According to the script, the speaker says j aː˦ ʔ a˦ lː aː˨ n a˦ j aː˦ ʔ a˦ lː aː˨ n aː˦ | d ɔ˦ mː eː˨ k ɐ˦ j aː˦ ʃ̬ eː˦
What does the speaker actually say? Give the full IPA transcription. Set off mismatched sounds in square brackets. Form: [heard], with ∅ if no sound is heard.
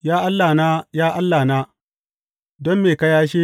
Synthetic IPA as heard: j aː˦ ʔ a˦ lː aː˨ n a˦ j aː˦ ʔ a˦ lː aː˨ n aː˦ | d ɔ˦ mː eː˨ k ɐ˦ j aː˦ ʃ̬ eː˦

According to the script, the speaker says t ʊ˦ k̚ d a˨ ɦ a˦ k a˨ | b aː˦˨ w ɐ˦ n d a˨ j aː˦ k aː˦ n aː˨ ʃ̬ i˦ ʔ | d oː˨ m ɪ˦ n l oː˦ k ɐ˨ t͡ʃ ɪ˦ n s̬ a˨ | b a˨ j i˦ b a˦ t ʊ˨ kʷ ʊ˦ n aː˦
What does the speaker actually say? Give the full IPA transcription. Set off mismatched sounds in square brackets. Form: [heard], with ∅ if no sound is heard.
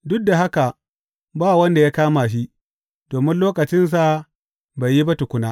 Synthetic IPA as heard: [d] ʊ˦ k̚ d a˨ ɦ a˦ k a˨ | b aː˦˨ w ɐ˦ n d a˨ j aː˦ k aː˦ [m] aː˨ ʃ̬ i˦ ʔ | d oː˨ m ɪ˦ n l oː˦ k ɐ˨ t͡ʃ ɪ˦ n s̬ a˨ | b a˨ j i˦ b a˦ t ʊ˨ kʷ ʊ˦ n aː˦

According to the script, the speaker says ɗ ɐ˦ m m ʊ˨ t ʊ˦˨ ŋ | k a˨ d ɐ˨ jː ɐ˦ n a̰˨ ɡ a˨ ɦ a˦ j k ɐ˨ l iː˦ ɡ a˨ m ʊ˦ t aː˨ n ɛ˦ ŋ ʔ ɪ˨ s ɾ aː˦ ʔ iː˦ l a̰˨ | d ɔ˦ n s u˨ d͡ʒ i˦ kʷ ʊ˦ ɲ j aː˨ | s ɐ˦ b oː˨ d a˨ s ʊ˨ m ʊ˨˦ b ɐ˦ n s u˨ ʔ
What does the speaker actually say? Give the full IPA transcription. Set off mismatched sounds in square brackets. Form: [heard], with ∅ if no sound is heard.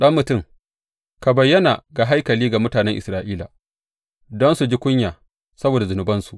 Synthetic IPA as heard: ɗ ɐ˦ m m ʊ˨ t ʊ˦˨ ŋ | k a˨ [b] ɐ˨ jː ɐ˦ n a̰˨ ɡ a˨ ɦ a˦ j k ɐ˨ l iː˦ ɡ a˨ m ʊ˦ t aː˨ n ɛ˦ ŋ ʔ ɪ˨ s ɾ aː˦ ʔ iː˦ l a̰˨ | d ɔ˦ n s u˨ d͡ʒ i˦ kʷ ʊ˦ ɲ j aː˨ | s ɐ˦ b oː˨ d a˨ [z] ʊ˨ [n] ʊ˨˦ b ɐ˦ n s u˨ ʔ

